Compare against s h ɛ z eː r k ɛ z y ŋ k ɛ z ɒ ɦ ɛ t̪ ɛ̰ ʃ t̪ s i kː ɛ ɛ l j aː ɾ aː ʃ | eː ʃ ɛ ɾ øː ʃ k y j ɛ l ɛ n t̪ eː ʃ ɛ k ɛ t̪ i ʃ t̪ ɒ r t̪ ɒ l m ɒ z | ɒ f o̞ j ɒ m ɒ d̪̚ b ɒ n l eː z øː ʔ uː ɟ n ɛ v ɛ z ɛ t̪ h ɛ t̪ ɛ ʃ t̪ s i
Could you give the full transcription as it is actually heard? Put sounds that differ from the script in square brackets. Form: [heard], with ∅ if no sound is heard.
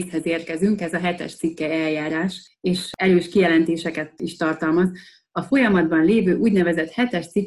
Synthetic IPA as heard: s h ɛ z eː r k ɛ z y ŋ k ɛ z ɒ ɦ ɛ t̪ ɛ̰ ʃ t̪ s i kː ɛ ɛ l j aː ɾ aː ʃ | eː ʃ ɛ ɾ øː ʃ k [i] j ɛ l ɛ n t̪ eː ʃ ɛ k ɛ t̪ i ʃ t̪ ɒ r t̪ ɒ l m ɒ z | ɒ f o̞ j ɒ m ɒ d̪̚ b ɒ n l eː [v] øː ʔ uː ɟ n ɛ v ɛ z ɛ t̪ h ɛ t̪ ɛ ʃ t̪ s i